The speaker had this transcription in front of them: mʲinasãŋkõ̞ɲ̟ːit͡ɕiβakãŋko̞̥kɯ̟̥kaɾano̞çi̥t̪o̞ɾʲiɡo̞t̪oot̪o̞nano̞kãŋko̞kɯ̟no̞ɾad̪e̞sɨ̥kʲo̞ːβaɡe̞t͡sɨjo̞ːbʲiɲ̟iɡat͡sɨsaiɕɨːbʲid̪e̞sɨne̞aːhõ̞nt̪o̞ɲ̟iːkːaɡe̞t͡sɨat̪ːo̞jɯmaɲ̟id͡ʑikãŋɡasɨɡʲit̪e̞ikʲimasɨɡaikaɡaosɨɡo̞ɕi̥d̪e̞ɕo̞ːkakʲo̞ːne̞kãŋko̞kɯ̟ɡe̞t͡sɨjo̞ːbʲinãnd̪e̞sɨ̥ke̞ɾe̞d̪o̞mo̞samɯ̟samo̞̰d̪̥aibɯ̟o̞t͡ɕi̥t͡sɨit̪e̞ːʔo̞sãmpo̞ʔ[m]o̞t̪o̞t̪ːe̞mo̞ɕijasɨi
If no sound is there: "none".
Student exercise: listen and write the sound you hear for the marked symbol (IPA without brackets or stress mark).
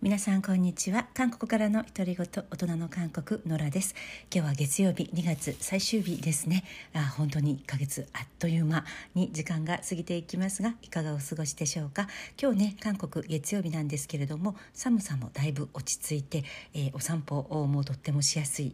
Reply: m